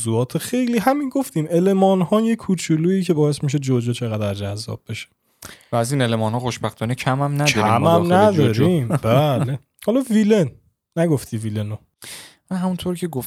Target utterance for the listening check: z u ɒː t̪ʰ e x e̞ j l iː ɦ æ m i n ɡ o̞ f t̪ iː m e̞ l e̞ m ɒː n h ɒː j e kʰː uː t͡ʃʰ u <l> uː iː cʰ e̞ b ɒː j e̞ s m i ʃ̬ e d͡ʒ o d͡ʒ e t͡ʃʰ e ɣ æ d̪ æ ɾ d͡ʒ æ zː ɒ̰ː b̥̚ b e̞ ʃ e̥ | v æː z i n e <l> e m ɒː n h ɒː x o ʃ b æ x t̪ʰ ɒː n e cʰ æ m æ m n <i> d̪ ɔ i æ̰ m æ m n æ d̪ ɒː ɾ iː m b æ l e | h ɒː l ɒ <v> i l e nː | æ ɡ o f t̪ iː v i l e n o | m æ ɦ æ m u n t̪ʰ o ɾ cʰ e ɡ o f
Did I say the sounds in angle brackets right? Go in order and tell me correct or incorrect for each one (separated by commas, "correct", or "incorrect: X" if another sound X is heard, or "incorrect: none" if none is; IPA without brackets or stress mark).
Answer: correct, correct, incorrect: æ, correct